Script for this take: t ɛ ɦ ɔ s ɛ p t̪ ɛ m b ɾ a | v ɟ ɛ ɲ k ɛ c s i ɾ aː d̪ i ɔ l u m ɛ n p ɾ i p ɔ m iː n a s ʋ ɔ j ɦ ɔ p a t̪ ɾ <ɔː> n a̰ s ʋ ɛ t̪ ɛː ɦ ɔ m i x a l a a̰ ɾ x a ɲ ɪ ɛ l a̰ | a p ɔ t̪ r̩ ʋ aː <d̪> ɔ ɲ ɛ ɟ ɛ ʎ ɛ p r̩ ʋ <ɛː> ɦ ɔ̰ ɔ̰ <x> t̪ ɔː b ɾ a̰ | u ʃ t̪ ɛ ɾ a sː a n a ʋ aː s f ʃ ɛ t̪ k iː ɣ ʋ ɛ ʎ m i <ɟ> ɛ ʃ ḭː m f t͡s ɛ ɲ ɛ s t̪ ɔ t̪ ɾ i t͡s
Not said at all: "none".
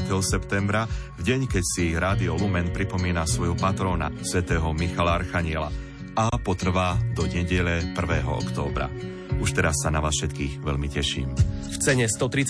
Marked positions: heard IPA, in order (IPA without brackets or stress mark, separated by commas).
ɔː, d̪, ɛː, k, c